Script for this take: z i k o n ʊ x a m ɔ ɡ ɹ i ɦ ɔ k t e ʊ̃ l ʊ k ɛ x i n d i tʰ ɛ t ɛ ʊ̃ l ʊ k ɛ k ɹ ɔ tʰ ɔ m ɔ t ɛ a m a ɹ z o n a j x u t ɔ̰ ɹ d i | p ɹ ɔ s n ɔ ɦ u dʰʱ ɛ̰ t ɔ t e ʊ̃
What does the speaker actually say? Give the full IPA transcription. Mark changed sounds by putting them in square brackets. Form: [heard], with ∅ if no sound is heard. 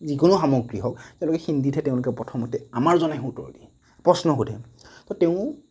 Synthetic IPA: z i k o n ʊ x a m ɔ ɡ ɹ i ɦ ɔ k t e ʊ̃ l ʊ k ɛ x i n d i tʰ ɛ t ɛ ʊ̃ l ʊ k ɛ [p] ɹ ɔ tʰ ɔ m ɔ t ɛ a m a ɹ z [ɔ] n a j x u t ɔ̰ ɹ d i | p ɹ ɔ s n ɔ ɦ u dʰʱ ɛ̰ t ɔ t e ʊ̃